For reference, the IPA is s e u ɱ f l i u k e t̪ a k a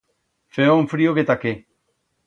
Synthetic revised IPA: f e o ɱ f ɾ i o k e t̪ a k e